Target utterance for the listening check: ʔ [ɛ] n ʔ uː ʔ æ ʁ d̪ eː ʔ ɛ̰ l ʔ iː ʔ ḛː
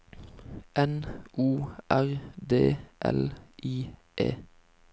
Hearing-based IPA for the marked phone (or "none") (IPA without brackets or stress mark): ɛ